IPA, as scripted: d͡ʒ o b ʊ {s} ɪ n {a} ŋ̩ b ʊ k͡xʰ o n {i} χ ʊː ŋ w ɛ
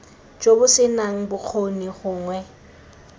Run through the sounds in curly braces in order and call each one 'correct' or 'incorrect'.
correct, correct, correct

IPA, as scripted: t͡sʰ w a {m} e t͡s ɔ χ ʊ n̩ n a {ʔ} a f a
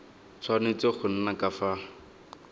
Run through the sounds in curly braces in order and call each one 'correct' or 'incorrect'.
incorrect: n, incorrect: k

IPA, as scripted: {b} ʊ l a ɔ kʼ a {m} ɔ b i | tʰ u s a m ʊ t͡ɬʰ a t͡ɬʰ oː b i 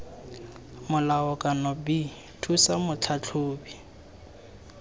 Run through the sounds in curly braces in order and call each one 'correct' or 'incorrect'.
incorrect: m, incorrect: n

